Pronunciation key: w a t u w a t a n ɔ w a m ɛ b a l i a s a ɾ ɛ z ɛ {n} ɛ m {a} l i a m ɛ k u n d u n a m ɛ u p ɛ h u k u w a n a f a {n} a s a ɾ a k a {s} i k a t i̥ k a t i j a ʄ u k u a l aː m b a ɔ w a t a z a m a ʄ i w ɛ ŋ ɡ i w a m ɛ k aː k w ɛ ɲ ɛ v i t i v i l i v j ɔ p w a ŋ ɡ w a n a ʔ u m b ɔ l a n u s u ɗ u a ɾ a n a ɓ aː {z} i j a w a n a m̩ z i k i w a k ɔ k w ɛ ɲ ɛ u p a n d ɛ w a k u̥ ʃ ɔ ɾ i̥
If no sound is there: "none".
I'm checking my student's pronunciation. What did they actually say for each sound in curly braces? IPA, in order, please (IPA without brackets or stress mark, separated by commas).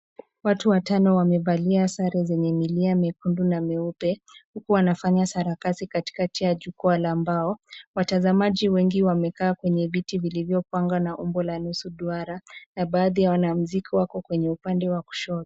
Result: ɲ, i, ɲ, s, ð